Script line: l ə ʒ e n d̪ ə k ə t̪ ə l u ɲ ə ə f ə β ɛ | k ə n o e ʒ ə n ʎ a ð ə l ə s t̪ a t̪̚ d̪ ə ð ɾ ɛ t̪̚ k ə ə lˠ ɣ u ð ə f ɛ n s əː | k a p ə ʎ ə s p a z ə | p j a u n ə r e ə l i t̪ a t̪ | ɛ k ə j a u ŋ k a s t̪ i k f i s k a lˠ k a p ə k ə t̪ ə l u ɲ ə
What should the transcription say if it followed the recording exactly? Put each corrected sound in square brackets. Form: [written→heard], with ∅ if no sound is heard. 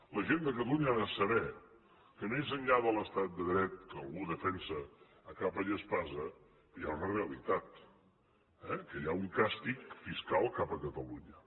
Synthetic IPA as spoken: l ə ʒ e n d̪ ə k ə t̪ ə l u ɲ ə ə [f→s] ə β ɛ | k ə n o e [ʒ→z] ə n ʎ a ð ə l ə s t̪ a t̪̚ d̪ ə ð ɾ ɛ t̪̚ k ə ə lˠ ɣ u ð ə f ɛ n s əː | k a p ə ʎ ə s p a z ə | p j a u n ə r e ə l i t̪ a t̪ | ɛ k ə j a u ŋ k a s t̪ i k f i s k a lˠ k a p ə k ə t̪ ə l u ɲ ə